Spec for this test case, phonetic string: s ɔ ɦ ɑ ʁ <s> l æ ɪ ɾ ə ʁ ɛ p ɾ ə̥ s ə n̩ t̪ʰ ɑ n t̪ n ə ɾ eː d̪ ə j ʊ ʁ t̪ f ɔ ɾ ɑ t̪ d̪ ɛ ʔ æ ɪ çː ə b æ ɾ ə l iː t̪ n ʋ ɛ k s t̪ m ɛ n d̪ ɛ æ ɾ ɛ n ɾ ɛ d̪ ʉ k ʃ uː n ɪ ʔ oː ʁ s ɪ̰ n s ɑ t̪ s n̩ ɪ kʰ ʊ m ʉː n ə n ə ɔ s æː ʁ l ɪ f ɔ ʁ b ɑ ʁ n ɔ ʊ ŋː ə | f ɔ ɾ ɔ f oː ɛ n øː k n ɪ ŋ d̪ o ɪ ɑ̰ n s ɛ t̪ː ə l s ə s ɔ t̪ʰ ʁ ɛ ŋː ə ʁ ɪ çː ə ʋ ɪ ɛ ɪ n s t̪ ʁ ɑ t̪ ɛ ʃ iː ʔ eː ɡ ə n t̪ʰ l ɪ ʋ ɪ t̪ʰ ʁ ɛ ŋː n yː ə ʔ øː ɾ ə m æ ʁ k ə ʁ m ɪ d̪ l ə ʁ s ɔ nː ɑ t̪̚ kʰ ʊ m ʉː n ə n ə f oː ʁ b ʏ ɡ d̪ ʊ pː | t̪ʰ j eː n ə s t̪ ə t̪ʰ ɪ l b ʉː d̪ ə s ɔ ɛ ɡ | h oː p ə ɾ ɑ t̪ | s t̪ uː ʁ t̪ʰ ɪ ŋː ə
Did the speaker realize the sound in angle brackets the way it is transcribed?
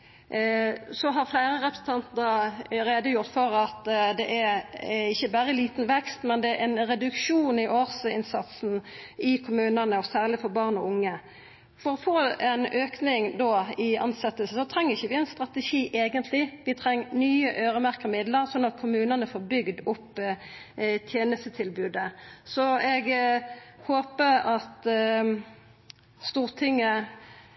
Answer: no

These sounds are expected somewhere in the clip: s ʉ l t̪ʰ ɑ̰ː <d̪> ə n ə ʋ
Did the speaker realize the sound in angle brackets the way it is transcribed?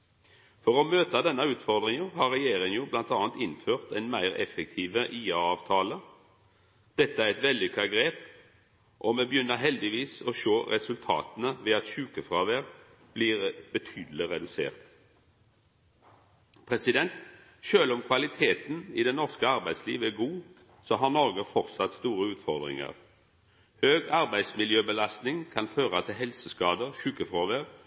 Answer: no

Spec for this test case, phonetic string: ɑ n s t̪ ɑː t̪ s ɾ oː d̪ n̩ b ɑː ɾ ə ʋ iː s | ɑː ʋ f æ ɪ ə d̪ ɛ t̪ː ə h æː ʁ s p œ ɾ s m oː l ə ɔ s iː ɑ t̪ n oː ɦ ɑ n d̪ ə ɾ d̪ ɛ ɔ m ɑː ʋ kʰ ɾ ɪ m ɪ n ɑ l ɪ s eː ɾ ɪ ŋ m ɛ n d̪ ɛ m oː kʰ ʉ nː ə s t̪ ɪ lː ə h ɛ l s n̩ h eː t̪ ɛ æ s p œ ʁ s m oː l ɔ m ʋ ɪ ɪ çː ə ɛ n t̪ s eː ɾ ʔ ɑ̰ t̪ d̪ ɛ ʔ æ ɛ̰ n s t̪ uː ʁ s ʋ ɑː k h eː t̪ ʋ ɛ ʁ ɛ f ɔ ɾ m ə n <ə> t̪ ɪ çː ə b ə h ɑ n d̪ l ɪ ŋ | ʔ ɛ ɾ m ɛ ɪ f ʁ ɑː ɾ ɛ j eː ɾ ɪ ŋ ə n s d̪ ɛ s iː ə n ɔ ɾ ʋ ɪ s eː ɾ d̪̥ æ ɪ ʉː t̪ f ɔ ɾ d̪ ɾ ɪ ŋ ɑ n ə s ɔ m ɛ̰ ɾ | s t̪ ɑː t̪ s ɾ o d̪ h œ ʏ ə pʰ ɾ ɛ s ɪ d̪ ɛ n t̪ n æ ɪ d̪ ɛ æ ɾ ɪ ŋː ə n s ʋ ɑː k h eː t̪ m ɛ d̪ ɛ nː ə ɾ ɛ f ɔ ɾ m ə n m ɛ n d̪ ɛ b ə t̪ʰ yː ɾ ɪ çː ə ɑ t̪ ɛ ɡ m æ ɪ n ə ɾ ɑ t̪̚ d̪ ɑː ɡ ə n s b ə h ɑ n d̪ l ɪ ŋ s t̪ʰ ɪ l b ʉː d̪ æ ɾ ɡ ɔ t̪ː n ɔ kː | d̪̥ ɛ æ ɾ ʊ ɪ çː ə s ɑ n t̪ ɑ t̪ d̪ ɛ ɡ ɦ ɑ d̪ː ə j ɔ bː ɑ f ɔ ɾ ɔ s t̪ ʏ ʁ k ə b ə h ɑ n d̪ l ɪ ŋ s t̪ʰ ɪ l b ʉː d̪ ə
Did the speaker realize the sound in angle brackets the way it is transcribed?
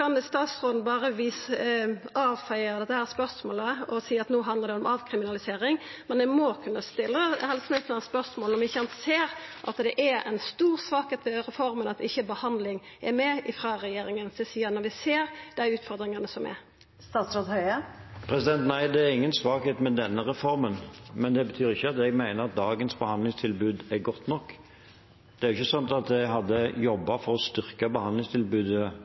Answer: no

